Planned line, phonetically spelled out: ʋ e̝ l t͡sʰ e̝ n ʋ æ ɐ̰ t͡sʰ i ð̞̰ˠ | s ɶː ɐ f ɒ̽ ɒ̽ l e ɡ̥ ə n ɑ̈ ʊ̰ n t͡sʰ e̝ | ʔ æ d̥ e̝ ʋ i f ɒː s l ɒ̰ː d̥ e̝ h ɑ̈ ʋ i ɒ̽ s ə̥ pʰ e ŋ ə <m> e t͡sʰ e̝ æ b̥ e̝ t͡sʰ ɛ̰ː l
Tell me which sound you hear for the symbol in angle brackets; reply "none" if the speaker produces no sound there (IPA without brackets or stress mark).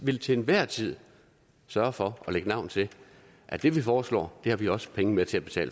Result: m